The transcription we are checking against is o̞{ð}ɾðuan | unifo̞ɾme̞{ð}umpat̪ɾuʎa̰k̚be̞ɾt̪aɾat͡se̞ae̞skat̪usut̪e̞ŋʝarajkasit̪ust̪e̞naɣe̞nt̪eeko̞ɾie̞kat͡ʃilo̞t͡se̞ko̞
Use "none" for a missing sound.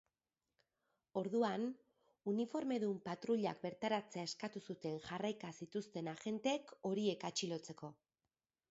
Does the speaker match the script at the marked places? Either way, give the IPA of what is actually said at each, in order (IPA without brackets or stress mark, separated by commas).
none, ð